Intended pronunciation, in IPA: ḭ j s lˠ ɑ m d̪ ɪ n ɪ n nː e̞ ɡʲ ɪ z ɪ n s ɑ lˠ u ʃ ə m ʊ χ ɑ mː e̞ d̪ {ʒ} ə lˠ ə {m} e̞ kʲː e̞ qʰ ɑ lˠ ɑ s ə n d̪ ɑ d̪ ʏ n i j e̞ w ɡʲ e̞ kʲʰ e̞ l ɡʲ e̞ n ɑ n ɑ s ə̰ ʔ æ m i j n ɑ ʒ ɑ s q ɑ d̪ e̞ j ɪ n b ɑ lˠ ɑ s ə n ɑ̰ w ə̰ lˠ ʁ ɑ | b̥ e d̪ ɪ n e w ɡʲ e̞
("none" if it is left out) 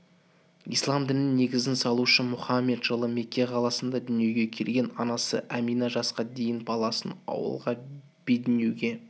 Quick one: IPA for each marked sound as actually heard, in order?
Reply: ʒ, m

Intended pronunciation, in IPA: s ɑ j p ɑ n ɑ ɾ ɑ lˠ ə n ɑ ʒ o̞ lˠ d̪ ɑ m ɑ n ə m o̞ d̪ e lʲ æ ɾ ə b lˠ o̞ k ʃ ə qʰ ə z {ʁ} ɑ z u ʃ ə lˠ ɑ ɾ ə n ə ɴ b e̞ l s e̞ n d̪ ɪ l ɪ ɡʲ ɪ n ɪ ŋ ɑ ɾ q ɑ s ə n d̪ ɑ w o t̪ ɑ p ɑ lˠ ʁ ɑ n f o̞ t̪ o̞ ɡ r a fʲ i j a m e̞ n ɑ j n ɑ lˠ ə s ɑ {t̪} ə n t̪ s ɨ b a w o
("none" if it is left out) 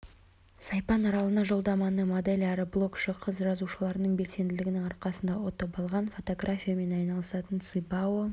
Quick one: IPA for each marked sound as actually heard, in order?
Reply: ʒ, t̪

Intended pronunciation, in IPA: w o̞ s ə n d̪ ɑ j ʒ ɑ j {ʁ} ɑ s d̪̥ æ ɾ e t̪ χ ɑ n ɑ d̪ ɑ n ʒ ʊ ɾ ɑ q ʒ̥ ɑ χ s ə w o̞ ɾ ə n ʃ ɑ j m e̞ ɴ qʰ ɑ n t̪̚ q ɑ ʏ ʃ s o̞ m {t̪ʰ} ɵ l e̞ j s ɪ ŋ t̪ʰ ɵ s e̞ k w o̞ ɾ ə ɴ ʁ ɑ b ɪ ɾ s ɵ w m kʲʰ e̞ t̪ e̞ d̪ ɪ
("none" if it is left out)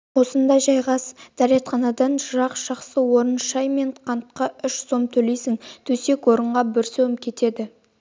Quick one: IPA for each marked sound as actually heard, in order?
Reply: ʁ, t̪ʰ

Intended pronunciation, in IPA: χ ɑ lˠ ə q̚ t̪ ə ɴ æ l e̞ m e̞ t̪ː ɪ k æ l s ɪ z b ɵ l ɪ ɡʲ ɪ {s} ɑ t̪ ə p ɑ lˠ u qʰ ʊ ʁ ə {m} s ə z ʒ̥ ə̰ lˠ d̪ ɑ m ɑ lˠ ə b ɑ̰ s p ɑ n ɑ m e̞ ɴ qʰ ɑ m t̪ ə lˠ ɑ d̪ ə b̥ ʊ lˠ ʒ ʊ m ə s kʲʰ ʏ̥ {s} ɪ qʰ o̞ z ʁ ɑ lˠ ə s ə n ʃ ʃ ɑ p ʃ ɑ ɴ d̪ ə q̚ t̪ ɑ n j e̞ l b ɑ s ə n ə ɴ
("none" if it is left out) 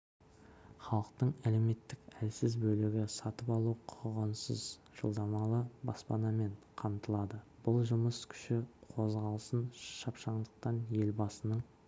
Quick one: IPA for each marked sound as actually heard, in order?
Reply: s, n, ʃ

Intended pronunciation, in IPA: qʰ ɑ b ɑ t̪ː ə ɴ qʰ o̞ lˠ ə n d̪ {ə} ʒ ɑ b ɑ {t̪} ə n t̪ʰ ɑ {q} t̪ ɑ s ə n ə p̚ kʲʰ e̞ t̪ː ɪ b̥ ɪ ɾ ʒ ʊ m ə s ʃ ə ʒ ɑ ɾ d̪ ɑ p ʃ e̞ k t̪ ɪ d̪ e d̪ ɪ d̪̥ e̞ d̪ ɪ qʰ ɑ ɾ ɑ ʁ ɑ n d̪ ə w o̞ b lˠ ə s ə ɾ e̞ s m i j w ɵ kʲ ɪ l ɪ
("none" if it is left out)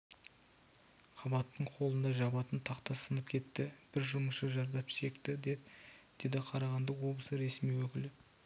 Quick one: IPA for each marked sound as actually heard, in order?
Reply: ɑ, t̪, q

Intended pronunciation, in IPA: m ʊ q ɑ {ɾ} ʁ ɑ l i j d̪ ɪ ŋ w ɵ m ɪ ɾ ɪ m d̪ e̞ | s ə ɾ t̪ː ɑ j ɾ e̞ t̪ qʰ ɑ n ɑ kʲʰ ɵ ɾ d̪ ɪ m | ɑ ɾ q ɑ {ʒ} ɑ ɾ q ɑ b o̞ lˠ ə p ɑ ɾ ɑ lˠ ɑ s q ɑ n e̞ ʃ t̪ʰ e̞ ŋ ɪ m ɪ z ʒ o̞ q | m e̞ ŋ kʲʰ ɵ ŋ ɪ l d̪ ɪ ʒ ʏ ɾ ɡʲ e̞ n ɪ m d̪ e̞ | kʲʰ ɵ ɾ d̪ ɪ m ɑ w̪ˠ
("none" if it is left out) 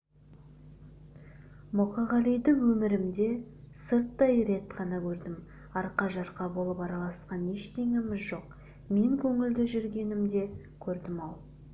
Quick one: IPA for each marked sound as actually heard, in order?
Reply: none, ʒ

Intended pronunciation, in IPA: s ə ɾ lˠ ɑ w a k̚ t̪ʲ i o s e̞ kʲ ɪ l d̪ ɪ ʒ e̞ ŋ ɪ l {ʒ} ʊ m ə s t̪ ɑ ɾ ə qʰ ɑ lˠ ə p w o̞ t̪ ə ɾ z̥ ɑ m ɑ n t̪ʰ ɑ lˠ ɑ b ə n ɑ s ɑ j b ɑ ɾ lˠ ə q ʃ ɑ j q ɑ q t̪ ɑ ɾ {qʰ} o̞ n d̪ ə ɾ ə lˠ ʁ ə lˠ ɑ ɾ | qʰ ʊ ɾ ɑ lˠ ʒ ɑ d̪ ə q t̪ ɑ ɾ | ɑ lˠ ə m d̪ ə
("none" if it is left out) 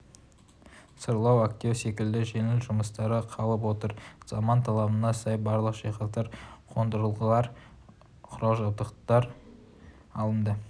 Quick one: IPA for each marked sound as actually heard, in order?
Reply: ʒ, qʰ

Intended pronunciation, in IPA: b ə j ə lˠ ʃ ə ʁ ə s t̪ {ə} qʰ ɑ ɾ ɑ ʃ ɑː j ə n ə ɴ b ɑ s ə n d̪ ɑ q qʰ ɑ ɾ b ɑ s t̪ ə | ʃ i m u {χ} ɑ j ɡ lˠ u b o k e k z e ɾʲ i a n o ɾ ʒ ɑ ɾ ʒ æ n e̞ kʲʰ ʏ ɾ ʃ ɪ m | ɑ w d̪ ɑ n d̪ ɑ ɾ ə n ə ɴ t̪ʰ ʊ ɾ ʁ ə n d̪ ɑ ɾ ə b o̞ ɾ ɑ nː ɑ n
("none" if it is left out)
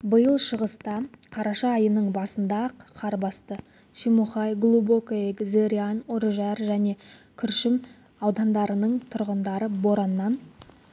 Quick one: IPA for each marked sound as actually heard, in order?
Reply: ɑ, χ

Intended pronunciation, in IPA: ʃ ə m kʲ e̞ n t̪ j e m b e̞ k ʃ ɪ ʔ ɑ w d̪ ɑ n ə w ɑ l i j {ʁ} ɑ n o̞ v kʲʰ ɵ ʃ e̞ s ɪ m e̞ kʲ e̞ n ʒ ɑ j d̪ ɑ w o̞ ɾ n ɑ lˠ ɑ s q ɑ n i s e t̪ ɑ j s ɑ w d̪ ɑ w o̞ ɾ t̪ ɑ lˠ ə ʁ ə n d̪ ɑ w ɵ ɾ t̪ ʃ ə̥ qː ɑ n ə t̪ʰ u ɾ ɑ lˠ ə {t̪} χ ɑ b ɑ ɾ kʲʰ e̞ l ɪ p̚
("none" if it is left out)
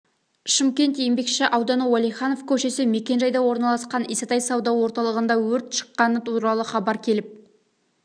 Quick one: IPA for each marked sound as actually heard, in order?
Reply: χ, none

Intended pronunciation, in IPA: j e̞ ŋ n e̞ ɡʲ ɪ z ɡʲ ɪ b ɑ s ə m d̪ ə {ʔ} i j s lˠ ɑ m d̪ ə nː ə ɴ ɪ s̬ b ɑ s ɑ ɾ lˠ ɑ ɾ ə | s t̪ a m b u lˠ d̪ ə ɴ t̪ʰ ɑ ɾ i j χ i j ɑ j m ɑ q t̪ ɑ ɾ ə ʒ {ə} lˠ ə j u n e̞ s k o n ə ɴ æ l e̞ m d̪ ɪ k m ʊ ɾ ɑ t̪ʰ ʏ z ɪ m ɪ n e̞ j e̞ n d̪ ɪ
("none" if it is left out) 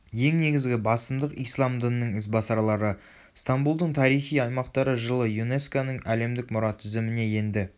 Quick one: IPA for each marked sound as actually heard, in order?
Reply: q, ə

